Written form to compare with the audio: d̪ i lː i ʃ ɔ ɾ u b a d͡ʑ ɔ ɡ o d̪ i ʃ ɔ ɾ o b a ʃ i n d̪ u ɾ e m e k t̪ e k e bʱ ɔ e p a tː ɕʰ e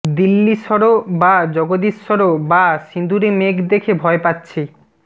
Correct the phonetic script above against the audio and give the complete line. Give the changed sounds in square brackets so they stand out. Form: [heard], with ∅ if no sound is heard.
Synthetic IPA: d̪ i lː i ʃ ɔ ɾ [o] b a d͡ʑ ɔ ɡ o d̪ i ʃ ɔ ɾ o b a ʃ i n d̪ u ɾ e m e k [d̪] e [kʰ] e bʱ ɔ e p a tː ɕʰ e

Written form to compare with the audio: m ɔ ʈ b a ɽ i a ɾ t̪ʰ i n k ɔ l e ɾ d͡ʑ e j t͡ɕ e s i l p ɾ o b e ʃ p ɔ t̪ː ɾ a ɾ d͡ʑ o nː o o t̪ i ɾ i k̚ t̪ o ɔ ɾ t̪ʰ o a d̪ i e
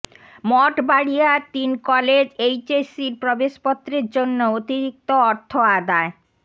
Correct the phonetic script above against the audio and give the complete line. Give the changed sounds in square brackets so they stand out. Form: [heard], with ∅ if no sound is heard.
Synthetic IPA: m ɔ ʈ b a ɽ i a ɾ [t̪] i n k ɔ l e [∅] d͡ʑ e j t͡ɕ e s i [ɾ] p ɾ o b e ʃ p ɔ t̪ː ɾ [e] ɾ d͡ʑ o nː o o t̪ i ɾ i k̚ t̪ o ɔ ɾ t̪ʰ o a d̪ [a] e

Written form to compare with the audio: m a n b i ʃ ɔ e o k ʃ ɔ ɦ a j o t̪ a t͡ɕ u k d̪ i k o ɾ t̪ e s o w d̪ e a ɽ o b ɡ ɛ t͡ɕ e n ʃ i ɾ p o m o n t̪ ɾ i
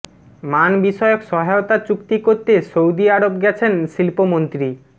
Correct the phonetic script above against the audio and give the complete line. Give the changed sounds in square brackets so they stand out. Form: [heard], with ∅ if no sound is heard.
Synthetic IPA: m a n b i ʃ ɔ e o k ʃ ɔ ɦ a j o t̪ a t͡ɕ u k [t̪] i k o ɾ t̪ e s o w d̪ [i] a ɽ o b ɡ ɛ [t͡ɕʰ] e n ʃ i [l] p o m o n t̪ ɾ i

